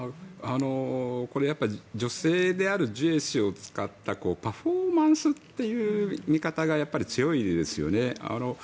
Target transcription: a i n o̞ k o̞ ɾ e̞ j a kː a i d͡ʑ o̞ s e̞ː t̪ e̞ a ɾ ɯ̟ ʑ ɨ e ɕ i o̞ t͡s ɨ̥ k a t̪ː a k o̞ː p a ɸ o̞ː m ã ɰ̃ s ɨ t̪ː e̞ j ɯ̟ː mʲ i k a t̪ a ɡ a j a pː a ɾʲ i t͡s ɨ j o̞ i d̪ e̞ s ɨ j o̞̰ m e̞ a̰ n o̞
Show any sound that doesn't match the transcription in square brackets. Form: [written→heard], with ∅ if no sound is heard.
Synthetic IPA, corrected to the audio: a [i→a] n o̞ k o̞ ɾ e̞ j a [kː→pː] a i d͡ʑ o̞ s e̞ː [t̪→d̪] e̞ a ɾ ɯ̟ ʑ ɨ e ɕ i o̞ t͡s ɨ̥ k a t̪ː a k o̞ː p a ɸ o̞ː m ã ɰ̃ s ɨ t̪ː e̞ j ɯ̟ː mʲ i k a t̪ a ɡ a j a pː a ɾʲ i t͡s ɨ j o̞ i d̪ e̞ s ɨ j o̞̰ [m→n] e̞ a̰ n o̞